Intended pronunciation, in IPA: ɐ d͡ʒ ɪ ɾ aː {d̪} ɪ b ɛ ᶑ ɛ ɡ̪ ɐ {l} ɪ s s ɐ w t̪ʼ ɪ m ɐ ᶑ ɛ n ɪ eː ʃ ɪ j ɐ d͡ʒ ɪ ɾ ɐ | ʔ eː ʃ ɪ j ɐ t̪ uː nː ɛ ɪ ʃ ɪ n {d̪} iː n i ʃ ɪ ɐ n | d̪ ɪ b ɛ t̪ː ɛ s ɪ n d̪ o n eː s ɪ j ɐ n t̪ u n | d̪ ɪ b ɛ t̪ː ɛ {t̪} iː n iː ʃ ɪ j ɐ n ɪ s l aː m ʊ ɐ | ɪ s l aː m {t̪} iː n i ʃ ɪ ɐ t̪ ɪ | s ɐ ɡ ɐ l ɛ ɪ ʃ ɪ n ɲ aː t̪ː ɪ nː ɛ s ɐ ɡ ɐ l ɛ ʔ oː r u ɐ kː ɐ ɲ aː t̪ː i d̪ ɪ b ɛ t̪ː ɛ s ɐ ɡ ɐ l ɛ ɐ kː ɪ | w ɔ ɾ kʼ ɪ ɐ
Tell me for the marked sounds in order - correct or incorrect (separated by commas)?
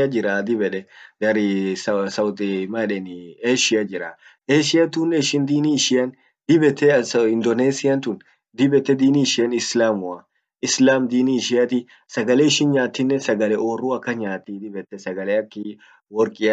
correct, incorrect, correct, incorrect, incorrect